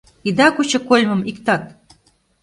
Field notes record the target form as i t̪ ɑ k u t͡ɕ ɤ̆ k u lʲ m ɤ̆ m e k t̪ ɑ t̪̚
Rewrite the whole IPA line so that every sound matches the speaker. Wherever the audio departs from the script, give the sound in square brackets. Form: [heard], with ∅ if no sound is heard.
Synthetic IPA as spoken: i [d̪] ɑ k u t͡ɕ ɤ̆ k [o] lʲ m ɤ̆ m [i] k t̪ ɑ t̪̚